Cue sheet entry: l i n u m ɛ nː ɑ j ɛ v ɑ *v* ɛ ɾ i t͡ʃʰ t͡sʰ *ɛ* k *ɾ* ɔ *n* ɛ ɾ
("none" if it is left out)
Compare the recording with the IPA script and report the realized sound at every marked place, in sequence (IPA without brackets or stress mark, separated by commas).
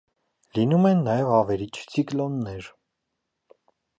v, i, l, nː